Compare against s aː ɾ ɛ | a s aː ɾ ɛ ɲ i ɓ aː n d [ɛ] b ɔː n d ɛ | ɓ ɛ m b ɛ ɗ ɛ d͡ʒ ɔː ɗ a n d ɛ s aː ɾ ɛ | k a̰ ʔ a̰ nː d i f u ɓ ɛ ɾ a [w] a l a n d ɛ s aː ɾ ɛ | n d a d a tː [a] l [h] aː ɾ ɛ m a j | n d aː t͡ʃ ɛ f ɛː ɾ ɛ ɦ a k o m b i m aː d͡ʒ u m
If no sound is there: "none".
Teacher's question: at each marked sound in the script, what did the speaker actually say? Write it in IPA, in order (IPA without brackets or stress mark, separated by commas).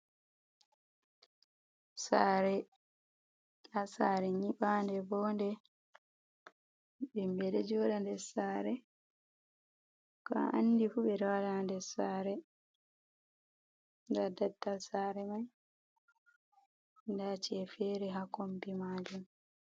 ɛ, w, a, s